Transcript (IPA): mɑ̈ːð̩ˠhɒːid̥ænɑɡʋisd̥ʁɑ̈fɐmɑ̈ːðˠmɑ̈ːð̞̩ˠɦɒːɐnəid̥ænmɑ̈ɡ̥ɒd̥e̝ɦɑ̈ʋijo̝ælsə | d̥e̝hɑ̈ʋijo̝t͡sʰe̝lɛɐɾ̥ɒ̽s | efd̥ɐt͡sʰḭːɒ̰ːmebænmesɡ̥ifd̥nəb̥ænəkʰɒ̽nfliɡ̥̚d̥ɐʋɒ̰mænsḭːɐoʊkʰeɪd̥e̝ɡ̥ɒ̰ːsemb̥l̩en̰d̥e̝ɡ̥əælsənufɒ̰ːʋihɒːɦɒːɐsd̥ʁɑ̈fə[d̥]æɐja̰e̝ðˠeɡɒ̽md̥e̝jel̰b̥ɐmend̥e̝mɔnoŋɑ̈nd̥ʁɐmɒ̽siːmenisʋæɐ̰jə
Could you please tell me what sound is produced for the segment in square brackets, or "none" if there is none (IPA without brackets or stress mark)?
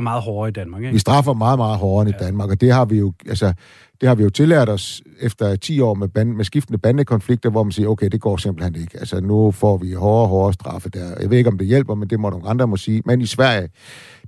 d̥